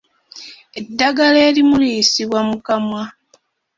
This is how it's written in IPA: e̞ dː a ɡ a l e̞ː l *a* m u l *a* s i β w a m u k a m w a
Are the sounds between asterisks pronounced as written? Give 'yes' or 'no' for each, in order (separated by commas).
no, no